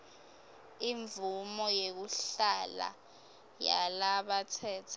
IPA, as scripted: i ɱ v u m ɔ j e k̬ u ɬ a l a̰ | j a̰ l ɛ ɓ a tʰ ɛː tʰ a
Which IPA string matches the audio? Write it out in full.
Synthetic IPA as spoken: i ɱ v u m ɔ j e k̬ u ɬ a l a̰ | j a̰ l a ɓ a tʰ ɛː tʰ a